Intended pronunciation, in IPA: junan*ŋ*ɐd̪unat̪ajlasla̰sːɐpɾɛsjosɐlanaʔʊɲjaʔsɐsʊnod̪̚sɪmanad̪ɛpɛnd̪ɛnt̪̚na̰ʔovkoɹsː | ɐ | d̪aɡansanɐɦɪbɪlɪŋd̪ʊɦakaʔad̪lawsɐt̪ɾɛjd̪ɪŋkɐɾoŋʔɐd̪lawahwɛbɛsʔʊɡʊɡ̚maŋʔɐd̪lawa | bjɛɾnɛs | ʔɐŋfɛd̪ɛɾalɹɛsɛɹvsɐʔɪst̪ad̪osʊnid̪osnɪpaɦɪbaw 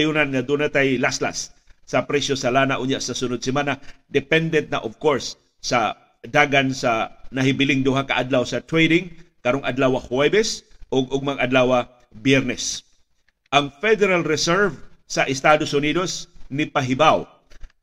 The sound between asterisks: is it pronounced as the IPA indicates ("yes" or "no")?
yes